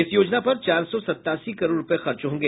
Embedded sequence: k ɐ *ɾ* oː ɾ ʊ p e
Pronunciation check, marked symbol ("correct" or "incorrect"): correct